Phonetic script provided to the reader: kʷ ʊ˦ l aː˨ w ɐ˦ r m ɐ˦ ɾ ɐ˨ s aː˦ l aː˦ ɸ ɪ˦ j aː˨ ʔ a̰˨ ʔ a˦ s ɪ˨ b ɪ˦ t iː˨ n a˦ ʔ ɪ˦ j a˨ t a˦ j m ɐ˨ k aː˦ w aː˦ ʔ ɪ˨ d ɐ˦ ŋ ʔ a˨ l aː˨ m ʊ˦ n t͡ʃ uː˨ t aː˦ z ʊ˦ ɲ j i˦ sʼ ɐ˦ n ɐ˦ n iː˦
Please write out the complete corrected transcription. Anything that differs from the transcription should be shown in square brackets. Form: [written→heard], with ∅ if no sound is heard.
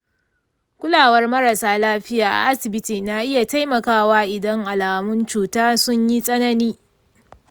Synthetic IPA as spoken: kʷ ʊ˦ l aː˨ w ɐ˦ r m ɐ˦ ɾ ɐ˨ s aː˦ l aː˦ ɸ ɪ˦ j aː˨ ʔ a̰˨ ʔ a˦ s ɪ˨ b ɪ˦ t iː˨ n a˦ ʔ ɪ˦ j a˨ t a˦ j m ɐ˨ k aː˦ w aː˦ ʔ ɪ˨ d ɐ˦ ŋ ʔ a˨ l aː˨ m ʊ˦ n t͡ʃ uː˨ t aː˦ [z→s] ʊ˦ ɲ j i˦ sʼ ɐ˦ n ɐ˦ n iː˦